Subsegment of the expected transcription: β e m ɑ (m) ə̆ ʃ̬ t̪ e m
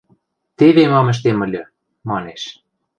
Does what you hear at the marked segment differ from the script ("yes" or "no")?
no